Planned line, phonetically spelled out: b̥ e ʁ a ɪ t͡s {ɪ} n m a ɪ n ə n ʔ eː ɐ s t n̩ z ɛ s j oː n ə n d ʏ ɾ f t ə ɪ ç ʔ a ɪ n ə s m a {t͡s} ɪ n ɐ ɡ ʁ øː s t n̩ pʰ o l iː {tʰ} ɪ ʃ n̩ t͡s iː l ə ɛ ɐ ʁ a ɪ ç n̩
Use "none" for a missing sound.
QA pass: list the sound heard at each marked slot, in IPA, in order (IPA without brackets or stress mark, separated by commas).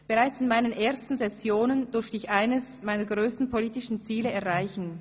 ɪ, none, t